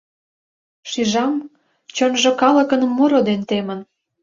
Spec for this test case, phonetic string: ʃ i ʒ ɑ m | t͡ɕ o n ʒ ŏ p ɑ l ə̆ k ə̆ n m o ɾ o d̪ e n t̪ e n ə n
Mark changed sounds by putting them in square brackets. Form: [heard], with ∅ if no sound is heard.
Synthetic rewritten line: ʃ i ʒ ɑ m | t͡ɕ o n ʒ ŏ [k] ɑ l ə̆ k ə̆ n m [u] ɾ o d̪ e n t̪ e [m] ə n